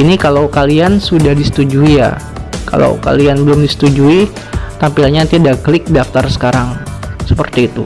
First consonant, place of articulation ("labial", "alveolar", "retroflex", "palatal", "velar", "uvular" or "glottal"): alveolar